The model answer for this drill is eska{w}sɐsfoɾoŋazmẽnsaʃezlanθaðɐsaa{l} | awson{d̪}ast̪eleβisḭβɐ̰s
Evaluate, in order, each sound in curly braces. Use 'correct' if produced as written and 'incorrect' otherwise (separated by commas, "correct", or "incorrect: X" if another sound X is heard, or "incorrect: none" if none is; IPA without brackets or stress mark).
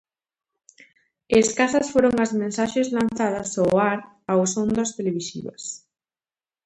incorrect: none, incorrect: ɾ, correct